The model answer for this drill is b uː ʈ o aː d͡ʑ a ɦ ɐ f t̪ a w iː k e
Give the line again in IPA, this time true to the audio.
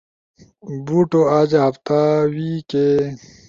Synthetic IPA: b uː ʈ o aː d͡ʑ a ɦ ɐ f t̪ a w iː k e